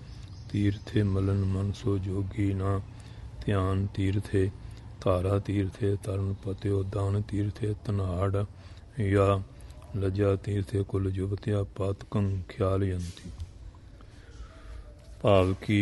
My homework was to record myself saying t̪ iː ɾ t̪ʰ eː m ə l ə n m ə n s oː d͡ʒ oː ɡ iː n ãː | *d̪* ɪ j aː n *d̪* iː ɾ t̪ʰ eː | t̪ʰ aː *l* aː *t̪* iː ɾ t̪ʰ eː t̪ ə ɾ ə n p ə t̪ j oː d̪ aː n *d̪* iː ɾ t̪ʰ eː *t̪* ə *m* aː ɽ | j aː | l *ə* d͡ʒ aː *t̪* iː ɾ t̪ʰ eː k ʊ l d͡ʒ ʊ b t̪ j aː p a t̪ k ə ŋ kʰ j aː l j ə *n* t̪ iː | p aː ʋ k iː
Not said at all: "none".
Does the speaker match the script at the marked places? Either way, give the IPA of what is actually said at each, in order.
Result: t̪, t̪, ɾ, t̪, t̪, t̪, n, ə, t̪, n

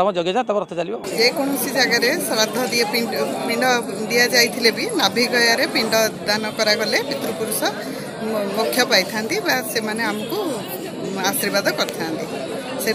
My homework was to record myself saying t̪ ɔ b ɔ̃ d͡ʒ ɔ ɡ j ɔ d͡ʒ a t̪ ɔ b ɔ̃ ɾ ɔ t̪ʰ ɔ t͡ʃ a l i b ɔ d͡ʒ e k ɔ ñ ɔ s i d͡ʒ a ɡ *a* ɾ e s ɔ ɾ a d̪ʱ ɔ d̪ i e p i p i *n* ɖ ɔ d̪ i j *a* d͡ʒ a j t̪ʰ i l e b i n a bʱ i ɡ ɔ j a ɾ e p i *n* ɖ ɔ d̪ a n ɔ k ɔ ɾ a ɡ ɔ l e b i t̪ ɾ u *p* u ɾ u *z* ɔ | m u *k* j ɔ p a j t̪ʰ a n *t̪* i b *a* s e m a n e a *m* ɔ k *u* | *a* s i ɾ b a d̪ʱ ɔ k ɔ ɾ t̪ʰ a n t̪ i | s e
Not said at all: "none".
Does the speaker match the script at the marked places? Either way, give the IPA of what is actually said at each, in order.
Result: a, ɳ, a, ɳ, p, s, kʰ, t̪, a, m, u, a

